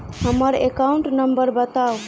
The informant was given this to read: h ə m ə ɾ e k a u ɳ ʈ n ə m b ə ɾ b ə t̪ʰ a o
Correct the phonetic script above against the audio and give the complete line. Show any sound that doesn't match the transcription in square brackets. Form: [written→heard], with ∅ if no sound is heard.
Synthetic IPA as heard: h ə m ə ɾ e k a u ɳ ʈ n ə m b ə ɾ b ə [t̪ʰ→t̪] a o